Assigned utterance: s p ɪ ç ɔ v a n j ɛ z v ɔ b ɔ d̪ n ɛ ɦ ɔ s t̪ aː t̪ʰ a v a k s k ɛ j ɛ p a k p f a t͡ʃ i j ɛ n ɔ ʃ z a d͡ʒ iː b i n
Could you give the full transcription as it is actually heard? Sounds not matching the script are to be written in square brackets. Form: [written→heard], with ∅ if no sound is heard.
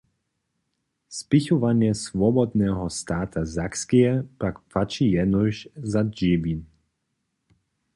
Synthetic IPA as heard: s p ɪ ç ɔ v a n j ɛ [z→s] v ɔ b ɔ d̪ n ɛ ɦ ɔ s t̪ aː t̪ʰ a [v→z] a k s k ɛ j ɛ p a k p f a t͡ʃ i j ɛ n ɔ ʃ z a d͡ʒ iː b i n

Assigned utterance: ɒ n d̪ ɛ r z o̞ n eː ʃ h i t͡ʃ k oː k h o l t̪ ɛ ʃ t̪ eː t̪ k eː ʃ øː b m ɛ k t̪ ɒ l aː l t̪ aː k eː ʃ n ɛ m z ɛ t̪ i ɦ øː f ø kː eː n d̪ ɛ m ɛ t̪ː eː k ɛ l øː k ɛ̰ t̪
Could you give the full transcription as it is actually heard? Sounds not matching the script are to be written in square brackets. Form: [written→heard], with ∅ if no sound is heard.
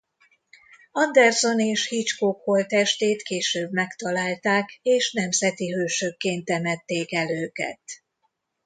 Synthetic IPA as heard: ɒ n d̪ ɛ r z o̞ n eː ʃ h i t͡ʃ k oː k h o l t̪ ɛ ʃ t̪ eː t̪ k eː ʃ øː b m ɛ k t̪ ɒ l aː l t̪ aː k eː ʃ n ɛ m z ɛ t̪ i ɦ øː [f→ʃ] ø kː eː n [d̪→t̪] ɛ m ɛ t̪ː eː k ɛ l øː k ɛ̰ t̪

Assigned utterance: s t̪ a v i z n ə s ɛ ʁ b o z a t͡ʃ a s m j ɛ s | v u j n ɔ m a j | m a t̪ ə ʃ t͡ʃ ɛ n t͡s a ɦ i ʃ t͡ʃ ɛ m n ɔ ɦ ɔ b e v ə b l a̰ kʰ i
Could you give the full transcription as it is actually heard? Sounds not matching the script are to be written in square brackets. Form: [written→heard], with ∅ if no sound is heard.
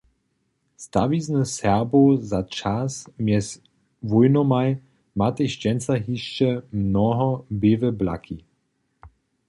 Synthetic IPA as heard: s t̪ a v i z n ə s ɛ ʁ b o z a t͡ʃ a s m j ɛ s | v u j n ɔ m a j | m a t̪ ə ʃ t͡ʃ ɛ n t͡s a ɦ i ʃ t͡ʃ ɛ m n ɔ ɦ ɔ b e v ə b l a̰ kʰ i

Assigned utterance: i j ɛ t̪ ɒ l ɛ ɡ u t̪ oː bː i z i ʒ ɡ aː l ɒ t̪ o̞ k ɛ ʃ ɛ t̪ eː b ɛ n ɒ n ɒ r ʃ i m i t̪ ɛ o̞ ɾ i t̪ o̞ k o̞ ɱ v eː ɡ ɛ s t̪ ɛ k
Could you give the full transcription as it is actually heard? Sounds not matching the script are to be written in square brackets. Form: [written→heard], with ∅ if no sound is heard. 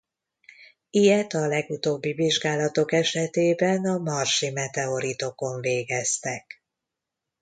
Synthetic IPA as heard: i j ɛ t̪ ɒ l ɛ ɡ u t̪ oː bː i [z→v] i ʒ ɡ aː l ɒ t̪ o̞ k ɛ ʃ ɛ t̪ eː b ɛ n ɒ [n→m] ɒ r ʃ i m [i→ɛ] t̪ ɛ o̞ ɾ i t̪ o̞ k o̞ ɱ v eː ɡ ɛ s t̪ ɛ k

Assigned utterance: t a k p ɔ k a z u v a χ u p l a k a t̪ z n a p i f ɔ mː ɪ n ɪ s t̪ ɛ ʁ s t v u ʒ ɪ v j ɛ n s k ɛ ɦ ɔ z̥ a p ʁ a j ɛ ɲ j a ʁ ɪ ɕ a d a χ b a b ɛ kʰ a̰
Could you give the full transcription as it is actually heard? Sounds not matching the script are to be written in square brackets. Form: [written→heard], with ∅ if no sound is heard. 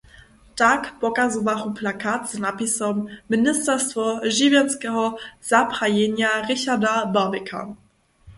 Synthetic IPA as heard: t a k p ɔ k a z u v a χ u p l a k a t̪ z n a p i [f→s] ɔ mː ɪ n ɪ s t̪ ɛ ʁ s t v [u→ɔ] ʒ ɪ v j ɛ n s k ɛ ɦ ɔ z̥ a p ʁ a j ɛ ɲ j a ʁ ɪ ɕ a d a [χ→∅] b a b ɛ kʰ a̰

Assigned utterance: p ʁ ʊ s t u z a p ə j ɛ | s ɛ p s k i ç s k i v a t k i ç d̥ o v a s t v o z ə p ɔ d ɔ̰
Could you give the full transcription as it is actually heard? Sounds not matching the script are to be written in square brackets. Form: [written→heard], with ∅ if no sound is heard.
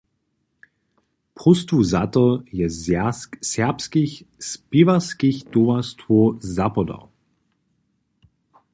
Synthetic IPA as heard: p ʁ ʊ s t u z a [p→t] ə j ɛ | s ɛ p s k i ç s [k→p] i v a [t→s] k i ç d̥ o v a s t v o z [ə→a] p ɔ d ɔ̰

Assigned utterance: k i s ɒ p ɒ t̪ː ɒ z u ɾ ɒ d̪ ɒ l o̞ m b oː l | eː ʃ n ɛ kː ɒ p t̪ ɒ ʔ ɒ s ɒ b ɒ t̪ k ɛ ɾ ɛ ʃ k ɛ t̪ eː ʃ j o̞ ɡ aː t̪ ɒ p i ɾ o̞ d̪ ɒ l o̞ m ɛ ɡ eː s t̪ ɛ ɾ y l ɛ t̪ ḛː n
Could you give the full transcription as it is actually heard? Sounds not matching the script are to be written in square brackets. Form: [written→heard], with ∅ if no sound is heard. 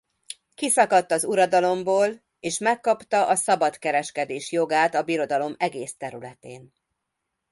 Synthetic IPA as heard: k i s ɒ [p→k] ɒ t̪ː ɒ z u ɾ ɒ d̪ ɒ l o̞ m b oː l | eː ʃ [n→m] ɛ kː ɒ p t̪ ɒ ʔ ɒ s ɒ b ɒ t̪ k ɛ ɾ ɛ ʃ k ɛ [t̪→d̪] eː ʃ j o̞ ɡ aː t̪ ɒ [p→b] i ɾ o̞ d̪ ɒ l o̞ m ɛ ɡ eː s t̪ ɛ ɾ y l ɛ t̪ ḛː n

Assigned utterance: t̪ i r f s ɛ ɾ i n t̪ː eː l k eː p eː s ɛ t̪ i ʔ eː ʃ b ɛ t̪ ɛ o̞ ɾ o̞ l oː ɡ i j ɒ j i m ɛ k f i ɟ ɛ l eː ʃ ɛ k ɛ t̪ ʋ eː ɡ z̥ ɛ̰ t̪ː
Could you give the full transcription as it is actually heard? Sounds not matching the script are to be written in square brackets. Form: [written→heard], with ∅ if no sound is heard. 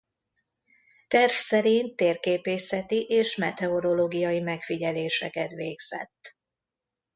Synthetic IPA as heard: t̪ [i→ɛ] r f s ɛ ɾ i n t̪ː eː [l→r] k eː p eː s ɛ t̪ i ʔ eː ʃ [b→m] ɛ t̪ ɛ o̞ ɾ o̞ l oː ɡ i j ɒ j i m ɛ k f i ɟ ɛ l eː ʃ ɛ k ɛ t̪ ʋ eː ɡ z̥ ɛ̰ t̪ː

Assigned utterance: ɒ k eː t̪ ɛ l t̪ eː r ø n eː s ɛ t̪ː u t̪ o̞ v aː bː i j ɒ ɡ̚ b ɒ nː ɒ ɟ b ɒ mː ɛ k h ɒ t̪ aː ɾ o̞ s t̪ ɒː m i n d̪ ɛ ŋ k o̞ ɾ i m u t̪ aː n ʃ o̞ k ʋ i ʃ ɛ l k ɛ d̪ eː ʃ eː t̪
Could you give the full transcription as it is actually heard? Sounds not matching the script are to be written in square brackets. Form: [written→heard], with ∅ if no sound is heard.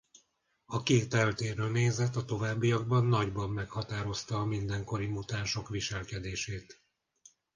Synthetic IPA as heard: ɒ k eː t̪ ɛ l t̪ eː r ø n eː [s→z] ɛ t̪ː [u→ɒ] t̪ o̞ v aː bː i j ɒ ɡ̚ b ɒ nː ɒ ɟ b ɒ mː ɛ k h ɒ t̪ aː ɾ o̞ s t̪ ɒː m i n d̪ ɛ ŋ k o̞ ɾ i m u t̪ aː n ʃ o̞ k ʋ i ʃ ɛ l k ɛ d̪ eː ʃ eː t̪

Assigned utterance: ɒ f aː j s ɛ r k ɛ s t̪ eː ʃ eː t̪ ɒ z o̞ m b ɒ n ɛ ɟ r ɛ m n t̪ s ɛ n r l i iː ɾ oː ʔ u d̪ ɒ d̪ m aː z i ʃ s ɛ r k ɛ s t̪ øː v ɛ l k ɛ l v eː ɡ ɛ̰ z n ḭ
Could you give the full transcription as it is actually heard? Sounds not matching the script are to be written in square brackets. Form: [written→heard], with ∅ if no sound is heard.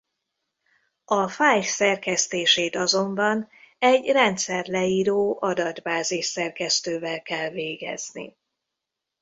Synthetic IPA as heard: ɒ f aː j s ɛ r k ɛ s t̪ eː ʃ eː t̪ ɒ z o̞ m b ɒ n ɛ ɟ r ɛ [m→∅] n t̪ s ɛ [n→∅] r l [i→ɛ] iː ɾ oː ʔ [u→ɒ] d̪ ɒ d̪ [m→b] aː z i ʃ s ɛ r k ɛ s t̪ øː v ɛ l k ɛ l v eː ɡ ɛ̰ z n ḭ

